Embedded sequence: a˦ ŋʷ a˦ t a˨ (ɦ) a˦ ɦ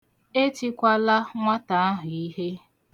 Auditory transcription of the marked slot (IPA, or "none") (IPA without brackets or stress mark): none